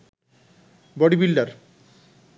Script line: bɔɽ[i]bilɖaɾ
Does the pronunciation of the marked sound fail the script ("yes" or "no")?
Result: no